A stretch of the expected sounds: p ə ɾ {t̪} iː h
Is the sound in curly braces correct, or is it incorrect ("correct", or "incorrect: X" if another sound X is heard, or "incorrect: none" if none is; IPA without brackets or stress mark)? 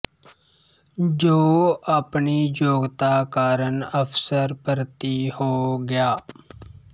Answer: correct